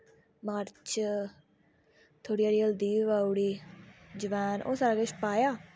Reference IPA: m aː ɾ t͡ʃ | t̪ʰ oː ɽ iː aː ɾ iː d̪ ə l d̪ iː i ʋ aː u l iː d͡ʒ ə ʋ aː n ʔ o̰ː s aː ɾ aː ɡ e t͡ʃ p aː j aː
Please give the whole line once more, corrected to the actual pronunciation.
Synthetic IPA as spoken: m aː ɾ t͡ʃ | t̪ʰ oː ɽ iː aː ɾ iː ə l d̪ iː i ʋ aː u ɽ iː d͡ʒ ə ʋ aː n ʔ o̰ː s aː ɾ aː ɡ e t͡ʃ p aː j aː